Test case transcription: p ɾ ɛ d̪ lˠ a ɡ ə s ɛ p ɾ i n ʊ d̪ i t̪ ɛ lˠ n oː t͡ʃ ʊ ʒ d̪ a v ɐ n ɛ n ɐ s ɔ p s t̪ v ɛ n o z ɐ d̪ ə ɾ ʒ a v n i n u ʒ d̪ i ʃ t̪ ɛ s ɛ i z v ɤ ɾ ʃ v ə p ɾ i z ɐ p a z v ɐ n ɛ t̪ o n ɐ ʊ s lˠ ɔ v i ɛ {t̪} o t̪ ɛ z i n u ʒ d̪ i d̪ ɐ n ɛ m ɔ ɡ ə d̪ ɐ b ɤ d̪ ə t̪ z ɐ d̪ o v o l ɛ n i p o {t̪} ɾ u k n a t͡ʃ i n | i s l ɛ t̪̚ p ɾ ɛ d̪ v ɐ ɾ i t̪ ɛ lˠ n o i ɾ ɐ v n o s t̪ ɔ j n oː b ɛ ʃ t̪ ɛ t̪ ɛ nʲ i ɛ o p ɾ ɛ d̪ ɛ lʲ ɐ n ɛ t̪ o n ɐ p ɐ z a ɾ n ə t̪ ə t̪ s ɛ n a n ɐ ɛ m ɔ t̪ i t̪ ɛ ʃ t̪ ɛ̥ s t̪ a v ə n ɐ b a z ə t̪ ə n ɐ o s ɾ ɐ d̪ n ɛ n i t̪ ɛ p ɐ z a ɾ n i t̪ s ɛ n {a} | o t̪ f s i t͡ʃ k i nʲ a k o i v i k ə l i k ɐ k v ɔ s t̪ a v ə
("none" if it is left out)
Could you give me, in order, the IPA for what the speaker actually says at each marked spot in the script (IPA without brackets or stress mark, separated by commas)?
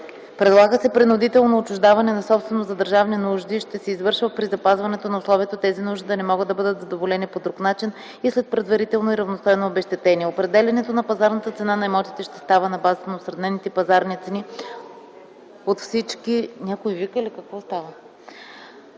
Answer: t̪, d̪, i